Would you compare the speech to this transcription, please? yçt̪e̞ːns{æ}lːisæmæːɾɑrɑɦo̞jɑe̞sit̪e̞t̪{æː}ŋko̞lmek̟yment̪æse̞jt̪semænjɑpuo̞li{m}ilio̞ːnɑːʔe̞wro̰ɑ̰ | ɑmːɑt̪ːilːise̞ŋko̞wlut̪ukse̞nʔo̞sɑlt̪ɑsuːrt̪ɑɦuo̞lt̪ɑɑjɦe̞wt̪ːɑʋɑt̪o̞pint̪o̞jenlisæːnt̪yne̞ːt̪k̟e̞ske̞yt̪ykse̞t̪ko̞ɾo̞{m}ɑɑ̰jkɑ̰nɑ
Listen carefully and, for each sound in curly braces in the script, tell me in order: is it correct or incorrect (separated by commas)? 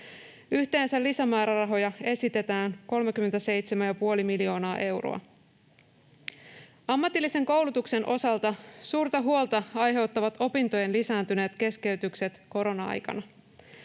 correct, correct, correct, incorrect